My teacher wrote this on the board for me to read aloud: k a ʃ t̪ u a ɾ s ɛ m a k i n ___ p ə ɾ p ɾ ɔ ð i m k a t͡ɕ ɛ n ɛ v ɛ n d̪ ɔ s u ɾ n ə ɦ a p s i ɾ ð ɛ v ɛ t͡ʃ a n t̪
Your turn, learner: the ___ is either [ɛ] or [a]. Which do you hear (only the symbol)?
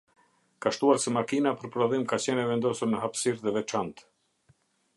a